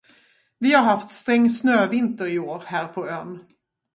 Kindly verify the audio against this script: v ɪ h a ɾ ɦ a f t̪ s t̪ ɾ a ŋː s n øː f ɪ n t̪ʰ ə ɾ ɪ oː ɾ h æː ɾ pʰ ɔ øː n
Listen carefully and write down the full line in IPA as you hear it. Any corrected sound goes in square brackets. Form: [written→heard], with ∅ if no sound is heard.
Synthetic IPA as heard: v ɪ h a ɾ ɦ a f t̪ s t̪ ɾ [a→ɛ] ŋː s n øː [f→v] ɪ n [t̪ʰ→t̪] ə ɾ ɪ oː ɾ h æː ɾ pʰ ɔ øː n

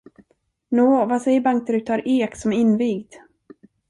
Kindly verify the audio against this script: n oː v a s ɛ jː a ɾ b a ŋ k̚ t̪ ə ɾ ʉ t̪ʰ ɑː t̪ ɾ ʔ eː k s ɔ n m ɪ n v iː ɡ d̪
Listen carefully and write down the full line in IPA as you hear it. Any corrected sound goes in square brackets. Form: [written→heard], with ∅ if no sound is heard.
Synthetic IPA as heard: n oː v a s ɛ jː [a→ə] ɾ b a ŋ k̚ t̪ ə ɾ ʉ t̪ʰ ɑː [t̪→∅] ɾ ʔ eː k s ɔ [n→∅] m ɪ n v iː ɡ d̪

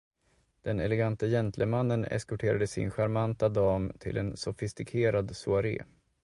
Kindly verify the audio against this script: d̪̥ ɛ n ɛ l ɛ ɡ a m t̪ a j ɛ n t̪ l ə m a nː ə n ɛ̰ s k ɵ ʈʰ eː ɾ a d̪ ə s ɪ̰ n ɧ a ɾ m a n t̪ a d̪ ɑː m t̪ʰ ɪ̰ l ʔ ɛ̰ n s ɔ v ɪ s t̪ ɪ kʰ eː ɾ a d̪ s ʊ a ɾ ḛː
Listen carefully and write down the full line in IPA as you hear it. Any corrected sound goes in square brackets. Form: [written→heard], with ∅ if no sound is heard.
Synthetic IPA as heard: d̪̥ ɛ n ɛ l ɛ ɡ a [m→n] t̪ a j ɛ n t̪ l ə m a nː ə n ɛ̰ s k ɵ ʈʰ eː ɾ a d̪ ə s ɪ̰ n ɧ a ɾ m a n t̪ a d̪ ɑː m t̪ʰ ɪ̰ l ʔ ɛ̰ n s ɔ [v→f] ɪ s t̪ ɪ kʰ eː ɾ a d̪ s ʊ a ɾ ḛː

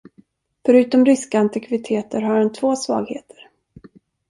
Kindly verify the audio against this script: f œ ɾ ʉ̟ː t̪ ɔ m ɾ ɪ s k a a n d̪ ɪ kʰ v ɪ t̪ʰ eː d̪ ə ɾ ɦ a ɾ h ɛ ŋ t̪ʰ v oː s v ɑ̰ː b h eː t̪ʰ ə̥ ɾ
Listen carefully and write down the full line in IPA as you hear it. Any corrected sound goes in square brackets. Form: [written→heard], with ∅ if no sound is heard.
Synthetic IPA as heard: f œ ɾ ʉ̟ː t̪ ɔ m ɾ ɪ s k a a n [d̪→t̪] ɪ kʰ v ɪ t̪ʰ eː [d̪→t̪] ə ɾ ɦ a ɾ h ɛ [ŋ→n] t̪ʰ v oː s v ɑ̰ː [b→ɡ] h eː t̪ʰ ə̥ ɾ

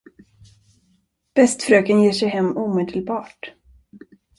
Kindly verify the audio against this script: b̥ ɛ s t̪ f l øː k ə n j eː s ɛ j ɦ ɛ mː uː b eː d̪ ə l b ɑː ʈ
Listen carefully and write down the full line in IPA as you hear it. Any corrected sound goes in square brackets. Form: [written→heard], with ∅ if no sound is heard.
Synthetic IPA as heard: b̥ ɛ s t̪ f [l→ɾ] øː k ə n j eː [s→ʂ] ɛ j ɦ ɛ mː uː [b→m] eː d̪ ə l b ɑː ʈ

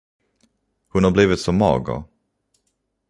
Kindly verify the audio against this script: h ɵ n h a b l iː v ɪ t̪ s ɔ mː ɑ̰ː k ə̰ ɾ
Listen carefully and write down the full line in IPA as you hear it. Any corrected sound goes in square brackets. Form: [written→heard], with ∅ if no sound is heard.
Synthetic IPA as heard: h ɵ n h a b l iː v ɪ t̪ s ɔ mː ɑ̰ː [k→ɡ] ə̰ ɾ

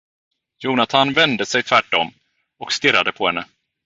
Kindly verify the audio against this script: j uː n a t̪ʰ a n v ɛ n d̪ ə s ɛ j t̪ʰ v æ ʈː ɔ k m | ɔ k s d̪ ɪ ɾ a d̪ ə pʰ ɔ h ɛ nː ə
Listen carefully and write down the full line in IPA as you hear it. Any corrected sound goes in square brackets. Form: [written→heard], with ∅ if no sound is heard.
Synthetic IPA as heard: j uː n a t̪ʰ a n v ɛ n d̪ ə s ɛ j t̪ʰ v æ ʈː ɔ [k→∅] m | ɔ k s [d̪→t̪] ɪ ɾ a d̪ ə pʰ ɔ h ɛ nː ə

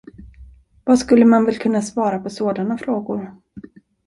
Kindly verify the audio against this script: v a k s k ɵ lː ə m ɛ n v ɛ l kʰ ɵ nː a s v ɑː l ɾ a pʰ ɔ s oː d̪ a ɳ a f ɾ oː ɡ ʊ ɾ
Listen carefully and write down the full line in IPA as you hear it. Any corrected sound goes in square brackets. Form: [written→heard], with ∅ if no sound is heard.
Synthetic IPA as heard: v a [k→∅] s k ɵ lː ə m [ɛ→a] n v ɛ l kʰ ɵ nː a s v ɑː [l→∅] ɾ a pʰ ɔ s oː d̪ a [ɳ→n] a f ɾ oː ɡ ʊ ɾ

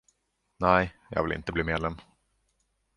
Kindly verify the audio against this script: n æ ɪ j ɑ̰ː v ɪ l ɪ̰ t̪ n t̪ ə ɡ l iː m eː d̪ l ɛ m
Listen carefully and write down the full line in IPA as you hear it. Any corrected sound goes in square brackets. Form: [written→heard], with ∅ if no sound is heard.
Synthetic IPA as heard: n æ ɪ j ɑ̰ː v ɪ l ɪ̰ [t̪→∅] n t̪ ə [ɡ→b] l iː m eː d̪ l ɛ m

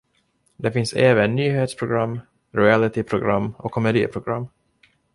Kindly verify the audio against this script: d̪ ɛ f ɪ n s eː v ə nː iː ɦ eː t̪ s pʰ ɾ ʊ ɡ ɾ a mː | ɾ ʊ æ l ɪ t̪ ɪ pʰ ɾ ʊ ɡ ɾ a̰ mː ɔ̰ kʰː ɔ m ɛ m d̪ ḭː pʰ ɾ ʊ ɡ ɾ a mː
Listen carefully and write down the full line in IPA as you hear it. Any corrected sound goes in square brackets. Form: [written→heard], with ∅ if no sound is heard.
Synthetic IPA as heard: d̪ ɛ f ɪ n s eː v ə nː [iː→yː] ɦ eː t̪ s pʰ ɾ ʊ ɡ ɾ a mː | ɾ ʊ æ l ɪ t̪ ɪ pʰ ɾ ʊ ɡ ɾ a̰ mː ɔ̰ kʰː ɔ m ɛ [m→∅] d̪ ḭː pʰ ɾ ʊ ɡ ɾ a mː

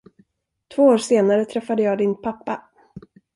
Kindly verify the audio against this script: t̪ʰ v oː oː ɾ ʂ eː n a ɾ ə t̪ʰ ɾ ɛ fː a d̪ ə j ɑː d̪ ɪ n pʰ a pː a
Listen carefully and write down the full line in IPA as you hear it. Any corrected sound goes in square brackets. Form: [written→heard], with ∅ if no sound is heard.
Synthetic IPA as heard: t̪ʰ v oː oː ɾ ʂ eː n a ɾ ə t̪ʰ ɾ ɛ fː a d̪ ə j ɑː d̪ ɪ n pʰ a pː a

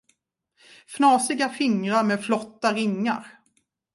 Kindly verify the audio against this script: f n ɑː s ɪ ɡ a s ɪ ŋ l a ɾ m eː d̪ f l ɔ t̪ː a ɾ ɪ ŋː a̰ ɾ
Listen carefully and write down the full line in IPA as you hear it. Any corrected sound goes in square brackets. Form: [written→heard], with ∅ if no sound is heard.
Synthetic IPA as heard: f n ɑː s ɪ ɡ a [s→f] ɪ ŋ [l→ɾ] a ɾ m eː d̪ f l ɔ t̪ː a ɾ ɪ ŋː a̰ ɾ

